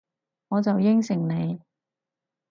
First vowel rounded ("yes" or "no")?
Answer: yes